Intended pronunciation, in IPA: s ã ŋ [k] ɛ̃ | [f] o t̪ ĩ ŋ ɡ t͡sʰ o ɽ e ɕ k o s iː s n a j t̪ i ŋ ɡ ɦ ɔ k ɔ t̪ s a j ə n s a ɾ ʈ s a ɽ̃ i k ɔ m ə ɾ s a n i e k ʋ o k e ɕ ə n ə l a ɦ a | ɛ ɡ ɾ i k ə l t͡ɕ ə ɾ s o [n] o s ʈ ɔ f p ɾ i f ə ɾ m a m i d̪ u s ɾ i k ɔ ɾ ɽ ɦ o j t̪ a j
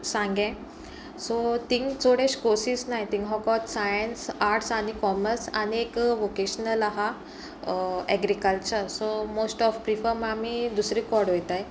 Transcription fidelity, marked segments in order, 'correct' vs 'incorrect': incorrect, incorrect, incorrect

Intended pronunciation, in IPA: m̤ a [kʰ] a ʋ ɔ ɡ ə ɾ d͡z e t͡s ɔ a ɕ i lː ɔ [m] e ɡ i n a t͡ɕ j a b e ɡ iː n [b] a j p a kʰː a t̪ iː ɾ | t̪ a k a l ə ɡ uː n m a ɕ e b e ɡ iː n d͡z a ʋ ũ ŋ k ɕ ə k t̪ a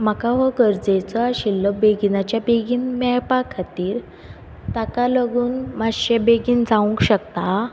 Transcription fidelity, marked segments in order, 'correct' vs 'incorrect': incorrect, incorrect, incorrect

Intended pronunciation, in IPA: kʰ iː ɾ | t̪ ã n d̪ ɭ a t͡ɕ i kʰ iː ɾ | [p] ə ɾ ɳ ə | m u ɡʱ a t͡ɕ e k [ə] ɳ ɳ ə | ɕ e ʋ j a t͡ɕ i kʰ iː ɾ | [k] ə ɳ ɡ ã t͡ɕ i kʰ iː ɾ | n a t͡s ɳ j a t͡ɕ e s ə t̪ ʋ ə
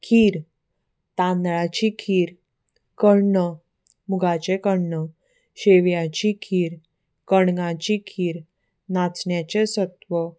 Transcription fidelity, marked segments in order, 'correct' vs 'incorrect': incorrect, correct, correct

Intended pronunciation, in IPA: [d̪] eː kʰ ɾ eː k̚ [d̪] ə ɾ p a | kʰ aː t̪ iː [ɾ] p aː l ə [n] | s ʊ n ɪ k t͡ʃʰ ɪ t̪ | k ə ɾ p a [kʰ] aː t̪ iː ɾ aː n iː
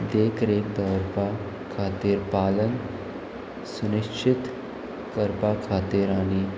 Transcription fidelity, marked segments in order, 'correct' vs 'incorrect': correct, correct, correct, correct, correct

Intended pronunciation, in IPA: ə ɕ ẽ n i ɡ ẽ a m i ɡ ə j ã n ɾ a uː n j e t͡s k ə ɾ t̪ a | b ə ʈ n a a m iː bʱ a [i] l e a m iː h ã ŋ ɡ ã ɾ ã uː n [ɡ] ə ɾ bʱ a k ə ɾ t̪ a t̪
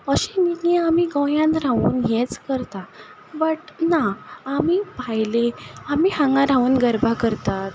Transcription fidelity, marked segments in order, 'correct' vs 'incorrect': incorrect, correct

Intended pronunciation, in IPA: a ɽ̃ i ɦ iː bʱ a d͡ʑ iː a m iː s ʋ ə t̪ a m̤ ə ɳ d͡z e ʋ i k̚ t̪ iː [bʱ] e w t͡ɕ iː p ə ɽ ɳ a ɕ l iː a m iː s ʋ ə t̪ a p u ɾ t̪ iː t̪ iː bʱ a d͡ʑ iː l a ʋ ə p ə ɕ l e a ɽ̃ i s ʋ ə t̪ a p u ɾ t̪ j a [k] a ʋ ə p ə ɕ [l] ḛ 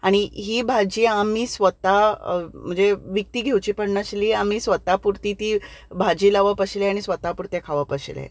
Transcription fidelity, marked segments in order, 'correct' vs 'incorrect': incorrect, incorrect, correct

